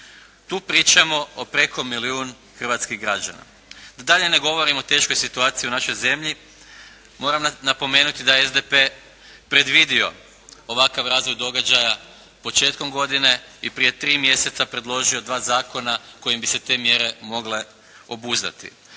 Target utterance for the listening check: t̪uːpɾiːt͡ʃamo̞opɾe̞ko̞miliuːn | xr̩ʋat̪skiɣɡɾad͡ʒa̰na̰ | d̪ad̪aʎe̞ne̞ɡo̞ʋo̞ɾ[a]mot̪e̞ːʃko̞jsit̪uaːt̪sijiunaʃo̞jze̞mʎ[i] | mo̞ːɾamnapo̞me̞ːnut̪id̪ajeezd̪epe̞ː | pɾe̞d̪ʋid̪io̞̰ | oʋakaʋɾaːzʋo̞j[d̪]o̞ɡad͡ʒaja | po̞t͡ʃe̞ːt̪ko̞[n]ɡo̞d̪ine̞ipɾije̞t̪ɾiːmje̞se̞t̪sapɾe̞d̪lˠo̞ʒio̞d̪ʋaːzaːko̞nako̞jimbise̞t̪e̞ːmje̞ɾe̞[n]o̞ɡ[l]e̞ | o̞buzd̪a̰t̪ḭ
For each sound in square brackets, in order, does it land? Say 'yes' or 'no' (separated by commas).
no, yes, yes, no, no, yes